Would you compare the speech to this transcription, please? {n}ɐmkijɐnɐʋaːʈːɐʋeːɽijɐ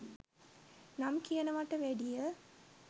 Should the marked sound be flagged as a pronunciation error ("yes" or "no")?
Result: no